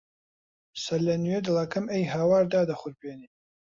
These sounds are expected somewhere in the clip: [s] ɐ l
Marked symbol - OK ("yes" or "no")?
yes